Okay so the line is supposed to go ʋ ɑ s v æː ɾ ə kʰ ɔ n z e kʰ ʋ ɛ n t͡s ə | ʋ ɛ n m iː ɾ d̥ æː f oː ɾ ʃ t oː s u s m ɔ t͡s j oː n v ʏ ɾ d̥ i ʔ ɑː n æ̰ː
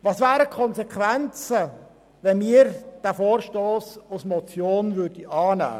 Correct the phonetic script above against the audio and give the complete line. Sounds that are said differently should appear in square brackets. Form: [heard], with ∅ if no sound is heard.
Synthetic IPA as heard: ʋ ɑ s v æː ɾ ə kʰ ɔ n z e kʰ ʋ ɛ n t͡s ə | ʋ ɛ n m iː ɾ d̥ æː f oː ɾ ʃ t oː s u s m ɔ t͡s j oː n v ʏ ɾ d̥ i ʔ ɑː n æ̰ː